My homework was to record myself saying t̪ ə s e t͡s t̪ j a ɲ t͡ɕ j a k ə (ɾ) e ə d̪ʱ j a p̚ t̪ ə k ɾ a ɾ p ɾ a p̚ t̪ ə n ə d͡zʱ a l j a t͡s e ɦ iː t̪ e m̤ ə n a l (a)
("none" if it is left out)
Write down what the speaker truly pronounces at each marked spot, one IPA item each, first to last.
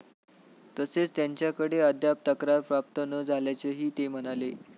ɽ, e

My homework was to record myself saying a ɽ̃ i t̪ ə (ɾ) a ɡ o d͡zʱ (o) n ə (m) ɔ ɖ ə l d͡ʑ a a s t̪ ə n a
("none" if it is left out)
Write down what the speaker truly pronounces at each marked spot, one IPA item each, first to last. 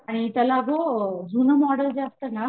l, u, m

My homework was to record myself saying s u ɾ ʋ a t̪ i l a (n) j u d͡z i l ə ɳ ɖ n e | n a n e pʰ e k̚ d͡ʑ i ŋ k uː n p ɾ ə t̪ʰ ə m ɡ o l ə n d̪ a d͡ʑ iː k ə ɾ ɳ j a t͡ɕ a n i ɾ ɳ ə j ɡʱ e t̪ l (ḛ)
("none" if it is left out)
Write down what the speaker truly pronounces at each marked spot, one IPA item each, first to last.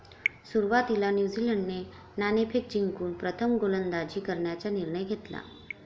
n, a̰

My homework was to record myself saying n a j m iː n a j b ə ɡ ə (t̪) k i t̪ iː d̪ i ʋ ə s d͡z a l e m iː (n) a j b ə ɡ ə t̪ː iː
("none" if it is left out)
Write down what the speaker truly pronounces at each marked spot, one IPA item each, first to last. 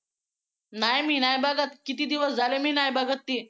t̪, n

